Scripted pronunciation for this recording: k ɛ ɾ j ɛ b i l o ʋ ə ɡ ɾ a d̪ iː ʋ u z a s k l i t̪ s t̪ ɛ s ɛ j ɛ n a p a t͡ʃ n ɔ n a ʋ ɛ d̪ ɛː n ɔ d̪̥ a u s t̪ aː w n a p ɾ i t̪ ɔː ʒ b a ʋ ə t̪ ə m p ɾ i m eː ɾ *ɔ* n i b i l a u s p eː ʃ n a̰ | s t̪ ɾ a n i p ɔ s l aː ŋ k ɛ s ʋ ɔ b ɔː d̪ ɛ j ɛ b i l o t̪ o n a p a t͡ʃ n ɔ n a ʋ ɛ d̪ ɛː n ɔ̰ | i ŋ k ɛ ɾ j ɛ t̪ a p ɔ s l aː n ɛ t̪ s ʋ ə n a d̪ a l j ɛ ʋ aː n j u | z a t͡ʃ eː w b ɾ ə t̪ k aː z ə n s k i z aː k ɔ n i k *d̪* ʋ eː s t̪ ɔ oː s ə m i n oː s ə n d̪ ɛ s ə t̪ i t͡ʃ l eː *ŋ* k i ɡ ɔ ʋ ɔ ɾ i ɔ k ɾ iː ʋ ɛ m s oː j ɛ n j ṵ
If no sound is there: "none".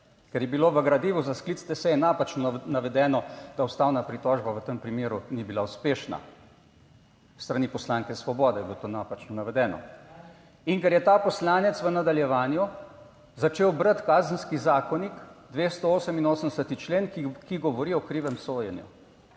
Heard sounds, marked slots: u, d̪, n

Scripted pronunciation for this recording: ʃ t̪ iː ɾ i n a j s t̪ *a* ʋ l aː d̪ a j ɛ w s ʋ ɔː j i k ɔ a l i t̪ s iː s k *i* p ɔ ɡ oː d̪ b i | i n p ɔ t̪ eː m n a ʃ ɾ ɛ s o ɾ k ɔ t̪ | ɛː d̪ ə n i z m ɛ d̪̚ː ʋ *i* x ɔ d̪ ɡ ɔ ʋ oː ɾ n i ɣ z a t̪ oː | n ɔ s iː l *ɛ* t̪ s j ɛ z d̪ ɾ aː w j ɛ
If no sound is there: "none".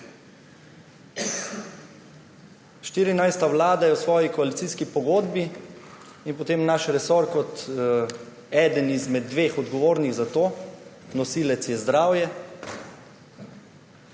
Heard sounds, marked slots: a, i, e, ɛ

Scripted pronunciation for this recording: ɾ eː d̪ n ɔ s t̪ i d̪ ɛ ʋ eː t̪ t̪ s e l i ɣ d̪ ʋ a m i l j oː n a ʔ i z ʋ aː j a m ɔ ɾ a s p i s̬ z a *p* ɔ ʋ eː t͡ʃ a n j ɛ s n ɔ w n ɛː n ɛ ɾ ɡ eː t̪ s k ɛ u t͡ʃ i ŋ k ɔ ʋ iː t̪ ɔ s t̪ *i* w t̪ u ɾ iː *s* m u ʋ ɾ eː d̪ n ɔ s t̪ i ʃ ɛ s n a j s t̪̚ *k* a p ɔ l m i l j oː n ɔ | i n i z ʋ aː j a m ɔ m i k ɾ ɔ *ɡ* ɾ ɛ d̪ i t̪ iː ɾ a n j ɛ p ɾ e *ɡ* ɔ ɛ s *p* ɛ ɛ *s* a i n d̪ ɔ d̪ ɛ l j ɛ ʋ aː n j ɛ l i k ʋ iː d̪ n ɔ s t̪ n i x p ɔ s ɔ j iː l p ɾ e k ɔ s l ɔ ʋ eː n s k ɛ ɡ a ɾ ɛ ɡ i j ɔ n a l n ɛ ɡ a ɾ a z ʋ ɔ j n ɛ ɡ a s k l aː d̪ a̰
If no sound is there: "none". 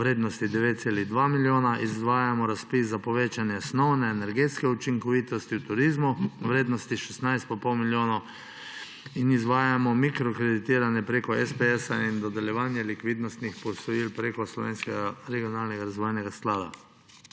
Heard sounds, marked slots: p, i, z, p, k, k, p, s

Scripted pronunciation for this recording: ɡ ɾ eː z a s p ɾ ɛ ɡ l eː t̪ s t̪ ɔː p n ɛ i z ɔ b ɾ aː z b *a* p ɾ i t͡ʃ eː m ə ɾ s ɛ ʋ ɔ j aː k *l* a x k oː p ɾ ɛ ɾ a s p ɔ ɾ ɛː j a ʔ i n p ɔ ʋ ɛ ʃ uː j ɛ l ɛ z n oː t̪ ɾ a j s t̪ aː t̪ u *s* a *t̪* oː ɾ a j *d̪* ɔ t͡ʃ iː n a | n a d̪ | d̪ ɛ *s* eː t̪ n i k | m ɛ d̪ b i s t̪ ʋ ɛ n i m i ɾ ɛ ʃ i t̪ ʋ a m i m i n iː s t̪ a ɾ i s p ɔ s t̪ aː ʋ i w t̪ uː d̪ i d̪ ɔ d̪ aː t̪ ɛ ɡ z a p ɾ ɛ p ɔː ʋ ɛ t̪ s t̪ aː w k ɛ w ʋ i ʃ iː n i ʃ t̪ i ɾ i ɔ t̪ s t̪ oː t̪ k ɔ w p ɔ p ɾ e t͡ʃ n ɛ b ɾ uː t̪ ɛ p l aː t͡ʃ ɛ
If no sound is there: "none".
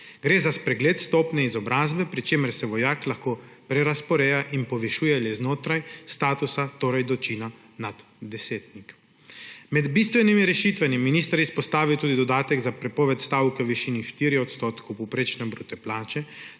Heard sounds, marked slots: ɛ, l, s, t̪, d̪, s

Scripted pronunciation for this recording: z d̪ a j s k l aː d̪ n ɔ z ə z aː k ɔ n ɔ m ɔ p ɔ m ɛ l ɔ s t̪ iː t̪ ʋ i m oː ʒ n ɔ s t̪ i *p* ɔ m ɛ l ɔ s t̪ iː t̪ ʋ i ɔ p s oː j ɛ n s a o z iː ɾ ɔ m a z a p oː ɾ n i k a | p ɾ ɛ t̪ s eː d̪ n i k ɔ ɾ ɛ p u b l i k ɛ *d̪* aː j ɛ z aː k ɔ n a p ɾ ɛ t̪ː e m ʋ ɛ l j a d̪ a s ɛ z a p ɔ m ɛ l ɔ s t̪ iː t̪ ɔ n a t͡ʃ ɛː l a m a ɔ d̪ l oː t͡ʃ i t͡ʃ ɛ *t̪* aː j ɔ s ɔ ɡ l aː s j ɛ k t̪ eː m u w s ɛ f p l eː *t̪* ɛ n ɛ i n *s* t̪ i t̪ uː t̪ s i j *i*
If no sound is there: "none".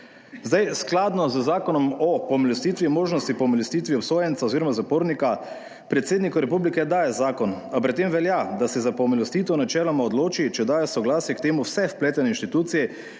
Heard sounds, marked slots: p, d̪, d̪, t̪, ʃ, ɛ

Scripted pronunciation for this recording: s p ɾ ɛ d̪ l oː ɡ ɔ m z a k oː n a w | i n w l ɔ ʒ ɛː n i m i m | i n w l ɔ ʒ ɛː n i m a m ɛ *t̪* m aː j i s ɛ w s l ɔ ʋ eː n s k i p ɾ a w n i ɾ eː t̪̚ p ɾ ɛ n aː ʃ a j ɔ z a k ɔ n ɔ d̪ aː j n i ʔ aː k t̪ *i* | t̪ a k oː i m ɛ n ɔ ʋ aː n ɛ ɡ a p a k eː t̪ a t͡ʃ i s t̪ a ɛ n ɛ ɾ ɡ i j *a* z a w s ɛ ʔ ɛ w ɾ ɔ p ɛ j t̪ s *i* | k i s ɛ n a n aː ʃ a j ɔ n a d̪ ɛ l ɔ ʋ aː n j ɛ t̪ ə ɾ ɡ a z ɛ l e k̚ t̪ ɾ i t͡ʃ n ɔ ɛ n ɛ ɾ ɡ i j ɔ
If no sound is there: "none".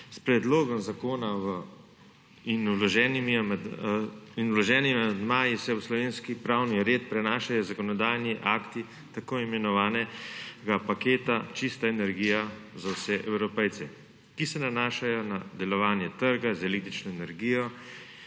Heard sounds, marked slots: d̪, i, a, ɛ

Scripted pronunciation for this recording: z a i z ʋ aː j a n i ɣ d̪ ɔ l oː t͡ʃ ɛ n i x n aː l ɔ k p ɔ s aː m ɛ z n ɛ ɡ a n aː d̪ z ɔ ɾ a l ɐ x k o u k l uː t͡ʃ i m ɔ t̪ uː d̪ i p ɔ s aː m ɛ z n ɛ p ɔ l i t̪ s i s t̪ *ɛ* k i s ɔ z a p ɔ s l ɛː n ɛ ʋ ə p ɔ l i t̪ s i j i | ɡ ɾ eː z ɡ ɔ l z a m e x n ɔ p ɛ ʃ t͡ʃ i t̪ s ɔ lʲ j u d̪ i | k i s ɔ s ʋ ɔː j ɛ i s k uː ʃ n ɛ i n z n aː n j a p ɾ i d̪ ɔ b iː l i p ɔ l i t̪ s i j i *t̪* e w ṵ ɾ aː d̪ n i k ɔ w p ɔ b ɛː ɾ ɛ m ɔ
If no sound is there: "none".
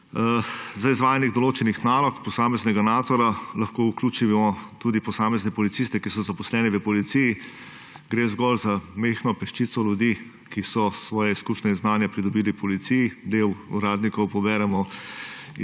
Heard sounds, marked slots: ɛ, d̪

